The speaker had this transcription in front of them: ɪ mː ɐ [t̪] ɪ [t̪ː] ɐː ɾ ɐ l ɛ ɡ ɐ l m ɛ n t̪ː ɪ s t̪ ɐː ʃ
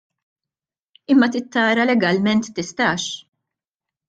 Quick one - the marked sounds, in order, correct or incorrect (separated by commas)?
correct, correct